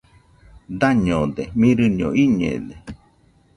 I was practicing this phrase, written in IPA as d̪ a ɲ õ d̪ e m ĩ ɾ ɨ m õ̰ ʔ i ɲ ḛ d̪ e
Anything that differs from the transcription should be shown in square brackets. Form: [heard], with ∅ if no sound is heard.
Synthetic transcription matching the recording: d̪ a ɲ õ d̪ e m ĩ ɾ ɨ [ɲ] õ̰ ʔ i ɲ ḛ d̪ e